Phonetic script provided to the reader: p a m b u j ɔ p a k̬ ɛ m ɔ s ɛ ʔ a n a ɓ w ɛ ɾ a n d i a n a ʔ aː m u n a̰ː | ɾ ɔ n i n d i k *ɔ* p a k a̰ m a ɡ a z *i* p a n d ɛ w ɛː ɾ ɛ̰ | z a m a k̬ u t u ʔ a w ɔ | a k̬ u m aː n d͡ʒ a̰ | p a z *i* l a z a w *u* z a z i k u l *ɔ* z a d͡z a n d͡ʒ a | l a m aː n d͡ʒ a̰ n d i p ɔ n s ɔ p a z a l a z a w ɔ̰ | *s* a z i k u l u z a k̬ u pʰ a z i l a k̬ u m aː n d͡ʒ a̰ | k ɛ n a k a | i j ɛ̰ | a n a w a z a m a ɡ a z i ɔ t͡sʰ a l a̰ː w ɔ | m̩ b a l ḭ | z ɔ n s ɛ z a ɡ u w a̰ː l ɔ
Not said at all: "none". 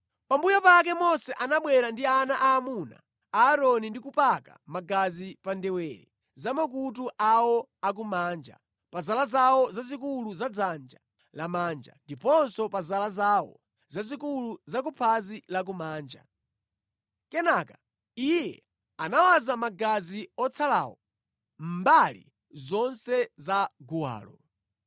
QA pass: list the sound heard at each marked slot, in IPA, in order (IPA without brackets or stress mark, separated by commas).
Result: u, i, a, ɔ, u, z